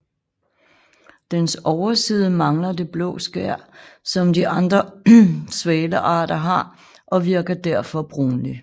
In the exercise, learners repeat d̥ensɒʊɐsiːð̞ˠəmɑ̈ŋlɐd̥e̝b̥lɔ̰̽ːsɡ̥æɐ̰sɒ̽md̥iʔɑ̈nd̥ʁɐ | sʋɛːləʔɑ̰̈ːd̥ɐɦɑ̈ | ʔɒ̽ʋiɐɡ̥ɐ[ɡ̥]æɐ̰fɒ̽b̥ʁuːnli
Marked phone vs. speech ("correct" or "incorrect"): incorrect